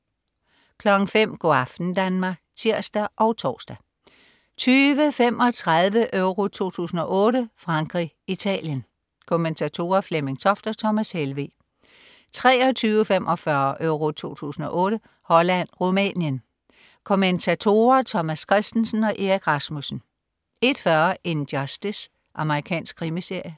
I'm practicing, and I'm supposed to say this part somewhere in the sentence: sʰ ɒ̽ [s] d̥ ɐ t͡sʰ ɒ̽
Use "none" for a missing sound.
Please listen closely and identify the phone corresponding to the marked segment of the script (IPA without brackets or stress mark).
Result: f